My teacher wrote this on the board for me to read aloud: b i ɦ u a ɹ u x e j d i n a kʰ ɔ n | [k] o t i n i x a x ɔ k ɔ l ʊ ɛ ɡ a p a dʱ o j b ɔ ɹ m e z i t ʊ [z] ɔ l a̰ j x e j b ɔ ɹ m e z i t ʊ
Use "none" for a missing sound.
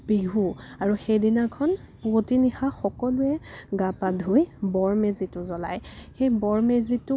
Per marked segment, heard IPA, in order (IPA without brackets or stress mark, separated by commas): p, z